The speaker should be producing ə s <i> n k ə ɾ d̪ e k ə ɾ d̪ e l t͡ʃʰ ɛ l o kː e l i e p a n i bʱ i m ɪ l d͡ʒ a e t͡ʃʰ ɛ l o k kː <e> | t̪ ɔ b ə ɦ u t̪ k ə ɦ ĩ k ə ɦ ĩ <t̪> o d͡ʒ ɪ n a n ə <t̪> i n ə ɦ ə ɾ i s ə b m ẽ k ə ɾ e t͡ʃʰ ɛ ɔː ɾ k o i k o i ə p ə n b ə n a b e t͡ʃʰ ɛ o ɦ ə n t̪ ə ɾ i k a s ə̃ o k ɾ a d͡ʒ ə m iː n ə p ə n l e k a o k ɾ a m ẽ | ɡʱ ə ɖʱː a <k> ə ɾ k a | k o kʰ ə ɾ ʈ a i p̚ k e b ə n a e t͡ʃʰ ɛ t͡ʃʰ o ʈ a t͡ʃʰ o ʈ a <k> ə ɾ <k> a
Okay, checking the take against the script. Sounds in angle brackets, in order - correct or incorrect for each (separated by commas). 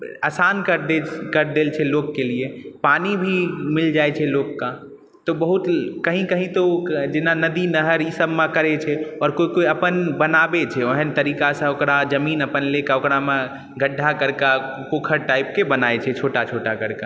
incorrect, incorrect, correct, incorrect, correct, correct, correct